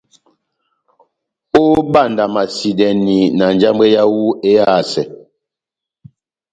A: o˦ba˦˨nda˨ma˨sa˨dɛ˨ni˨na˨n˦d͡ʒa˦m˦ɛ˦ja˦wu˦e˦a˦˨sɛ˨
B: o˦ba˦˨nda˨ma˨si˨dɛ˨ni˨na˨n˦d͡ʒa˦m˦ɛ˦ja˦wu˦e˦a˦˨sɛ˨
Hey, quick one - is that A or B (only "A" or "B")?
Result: B